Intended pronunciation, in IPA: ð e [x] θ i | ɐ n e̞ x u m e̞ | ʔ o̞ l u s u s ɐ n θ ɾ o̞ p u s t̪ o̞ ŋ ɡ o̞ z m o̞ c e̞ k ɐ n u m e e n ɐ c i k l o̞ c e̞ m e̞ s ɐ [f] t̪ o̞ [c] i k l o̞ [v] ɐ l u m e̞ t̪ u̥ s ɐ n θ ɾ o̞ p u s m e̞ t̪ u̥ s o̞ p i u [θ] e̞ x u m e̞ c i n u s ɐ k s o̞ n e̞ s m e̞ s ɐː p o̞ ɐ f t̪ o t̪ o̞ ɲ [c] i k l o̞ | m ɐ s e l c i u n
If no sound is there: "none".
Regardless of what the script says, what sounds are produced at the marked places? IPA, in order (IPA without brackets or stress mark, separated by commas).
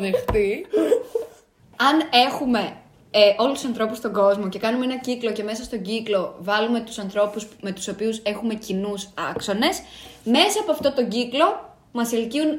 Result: x, s, ɟ, v, s, ɟ